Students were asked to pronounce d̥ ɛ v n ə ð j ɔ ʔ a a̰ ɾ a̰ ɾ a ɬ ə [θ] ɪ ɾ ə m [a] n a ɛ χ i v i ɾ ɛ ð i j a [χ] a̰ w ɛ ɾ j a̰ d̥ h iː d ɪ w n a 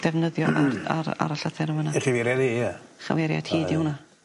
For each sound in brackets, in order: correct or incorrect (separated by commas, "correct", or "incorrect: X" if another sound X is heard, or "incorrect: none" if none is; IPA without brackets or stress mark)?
correct, incorrect: ə, correct